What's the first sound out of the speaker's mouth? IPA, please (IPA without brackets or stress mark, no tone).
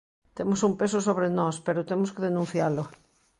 t̪